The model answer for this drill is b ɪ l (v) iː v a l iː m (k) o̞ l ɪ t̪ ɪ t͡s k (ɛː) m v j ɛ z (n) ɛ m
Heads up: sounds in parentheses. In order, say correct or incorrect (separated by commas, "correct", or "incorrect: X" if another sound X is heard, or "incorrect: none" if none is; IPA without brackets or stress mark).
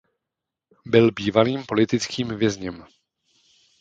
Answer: incorrect: b, incorrect: p, incorrect: iː, incorrect: ɲ